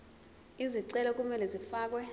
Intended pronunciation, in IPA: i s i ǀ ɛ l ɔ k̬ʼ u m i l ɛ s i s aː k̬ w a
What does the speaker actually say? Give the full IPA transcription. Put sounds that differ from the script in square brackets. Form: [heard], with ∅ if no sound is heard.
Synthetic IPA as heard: i [z] i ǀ ɛ l ɔ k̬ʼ u m [ɛ] l ɛ [z] i [f] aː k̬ w [ɛ]